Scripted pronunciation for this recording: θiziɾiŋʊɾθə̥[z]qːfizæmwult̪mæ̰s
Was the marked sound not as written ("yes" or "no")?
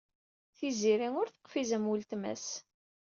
yes